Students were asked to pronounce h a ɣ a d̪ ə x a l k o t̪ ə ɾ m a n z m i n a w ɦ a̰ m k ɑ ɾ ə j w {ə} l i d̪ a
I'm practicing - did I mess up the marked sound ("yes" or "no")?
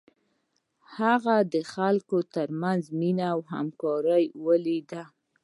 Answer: no